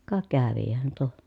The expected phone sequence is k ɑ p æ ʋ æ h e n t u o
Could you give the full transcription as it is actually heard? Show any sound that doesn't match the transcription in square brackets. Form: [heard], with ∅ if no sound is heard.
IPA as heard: k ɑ [k] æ ʋ [i] h [æ] n t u o